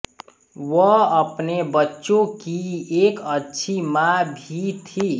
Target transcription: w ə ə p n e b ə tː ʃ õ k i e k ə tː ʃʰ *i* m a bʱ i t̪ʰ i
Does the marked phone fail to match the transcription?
no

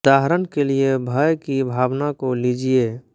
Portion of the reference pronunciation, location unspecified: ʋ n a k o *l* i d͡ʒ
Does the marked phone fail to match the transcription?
no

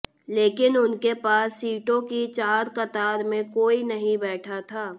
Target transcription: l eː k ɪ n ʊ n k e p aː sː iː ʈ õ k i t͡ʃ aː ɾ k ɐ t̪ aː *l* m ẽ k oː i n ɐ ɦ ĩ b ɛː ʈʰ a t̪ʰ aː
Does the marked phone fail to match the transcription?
yes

